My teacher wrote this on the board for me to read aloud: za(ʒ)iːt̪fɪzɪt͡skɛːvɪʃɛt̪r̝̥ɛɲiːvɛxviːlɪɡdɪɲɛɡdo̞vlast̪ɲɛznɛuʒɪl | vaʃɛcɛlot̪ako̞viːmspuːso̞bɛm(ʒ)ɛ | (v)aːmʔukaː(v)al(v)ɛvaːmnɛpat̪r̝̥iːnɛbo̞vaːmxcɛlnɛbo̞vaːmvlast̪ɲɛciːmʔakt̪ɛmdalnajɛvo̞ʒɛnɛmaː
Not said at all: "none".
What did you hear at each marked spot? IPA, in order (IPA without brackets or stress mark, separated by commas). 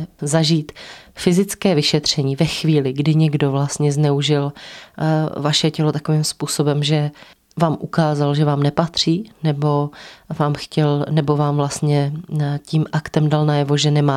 ʒ, ʒ, v, z, ʒ